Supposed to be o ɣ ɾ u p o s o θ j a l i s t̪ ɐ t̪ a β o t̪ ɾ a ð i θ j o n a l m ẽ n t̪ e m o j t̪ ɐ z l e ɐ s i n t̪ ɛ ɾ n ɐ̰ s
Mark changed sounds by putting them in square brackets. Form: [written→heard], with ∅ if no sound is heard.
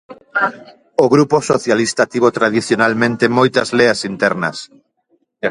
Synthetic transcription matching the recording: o ɣ ɾ u p o s o θ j a l i s t̪ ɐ t̪ [a→i] β o t̪ ɾ a ð i θ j o n a l m ẽ n t̪ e m o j t̪ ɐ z l e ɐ s i n t̪ ɛ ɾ n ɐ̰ s

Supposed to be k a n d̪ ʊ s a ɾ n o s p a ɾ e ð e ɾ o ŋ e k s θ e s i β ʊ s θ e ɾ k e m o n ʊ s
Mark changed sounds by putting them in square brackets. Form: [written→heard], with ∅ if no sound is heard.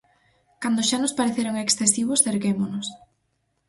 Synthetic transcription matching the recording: k a n d̪ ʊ [s→ʃ] a [ɾ→∅] n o s p a ɾ e [ð→θ] e ɾ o ŋ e k s θ e s i β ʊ s θ e ɾ k e m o n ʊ s

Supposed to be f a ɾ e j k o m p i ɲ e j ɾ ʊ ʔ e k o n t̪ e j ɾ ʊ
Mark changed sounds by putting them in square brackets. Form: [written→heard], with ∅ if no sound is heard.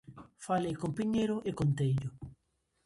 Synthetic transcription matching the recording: f a [ɾ→l] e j k o m p i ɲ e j ɾ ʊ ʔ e k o n t̪ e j [ɾ→ʎ] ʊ

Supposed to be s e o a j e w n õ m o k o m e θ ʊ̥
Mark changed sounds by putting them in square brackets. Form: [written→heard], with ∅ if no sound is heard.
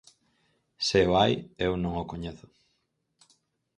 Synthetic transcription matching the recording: s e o a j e w n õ [m→ŋ] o k o [m→ɲ] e θ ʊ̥

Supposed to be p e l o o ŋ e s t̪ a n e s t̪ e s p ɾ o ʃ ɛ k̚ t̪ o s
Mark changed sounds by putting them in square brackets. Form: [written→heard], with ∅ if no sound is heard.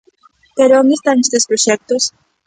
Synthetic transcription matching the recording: p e [l→ɾ] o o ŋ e s t̪ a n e s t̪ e s p ɾ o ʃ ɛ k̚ t̪ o s

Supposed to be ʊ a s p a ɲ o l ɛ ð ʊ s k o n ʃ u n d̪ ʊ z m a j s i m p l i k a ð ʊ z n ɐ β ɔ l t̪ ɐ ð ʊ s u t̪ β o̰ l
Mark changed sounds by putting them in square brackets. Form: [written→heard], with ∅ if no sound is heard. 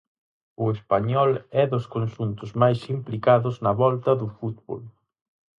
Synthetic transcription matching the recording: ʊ [a→e] s p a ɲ [o→ɔ] l ɛ ð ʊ s k o n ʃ u n [d̪→t̪] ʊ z m a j s i m p l i k a ð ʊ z n ɐ β ɔ l t̪ ɐ ð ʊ [s→f] u t̪ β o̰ l

